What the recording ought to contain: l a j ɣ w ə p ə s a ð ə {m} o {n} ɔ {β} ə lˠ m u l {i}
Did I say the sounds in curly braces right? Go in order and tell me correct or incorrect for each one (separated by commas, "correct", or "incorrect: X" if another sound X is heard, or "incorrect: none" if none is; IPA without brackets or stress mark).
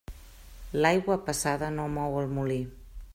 incorrect: n, incorrect: m, incorrect: w, correct